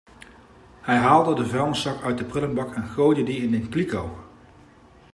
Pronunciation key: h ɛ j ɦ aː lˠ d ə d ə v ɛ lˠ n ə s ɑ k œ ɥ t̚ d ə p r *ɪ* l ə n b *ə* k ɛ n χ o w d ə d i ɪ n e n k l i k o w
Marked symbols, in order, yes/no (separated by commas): yes, no